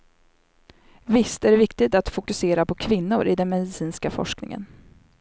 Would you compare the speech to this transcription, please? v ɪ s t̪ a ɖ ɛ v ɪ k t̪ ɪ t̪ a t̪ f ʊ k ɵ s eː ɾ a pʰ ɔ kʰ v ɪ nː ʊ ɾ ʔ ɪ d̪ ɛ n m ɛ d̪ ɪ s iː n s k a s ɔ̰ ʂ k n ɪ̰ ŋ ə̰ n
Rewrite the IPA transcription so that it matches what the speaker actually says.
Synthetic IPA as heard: v ɪ s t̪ æ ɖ ɛ v ɪ k t̪ ɪ t̪ a t̪ f ʊ k ɵ s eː ɾ a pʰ ɔ kʰ v ɪ nː ʊ ɾ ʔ ɪ d̪ ɛ n m ɛ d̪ ɪ s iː n s k a f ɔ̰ ʂ k n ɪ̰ ŋ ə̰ n